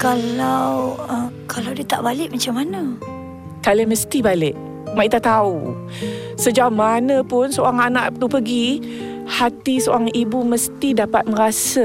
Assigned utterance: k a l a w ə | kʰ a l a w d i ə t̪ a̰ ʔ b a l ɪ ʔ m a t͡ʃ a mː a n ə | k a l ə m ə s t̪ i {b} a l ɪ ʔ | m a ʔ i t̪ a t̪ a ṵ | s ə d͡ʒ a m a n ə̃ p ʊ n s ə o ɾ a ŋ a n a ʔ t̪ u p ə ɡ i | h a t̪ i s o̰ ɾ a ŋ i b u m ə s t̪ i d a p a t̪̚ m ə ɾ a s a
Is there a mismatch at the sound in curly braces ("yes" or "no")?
no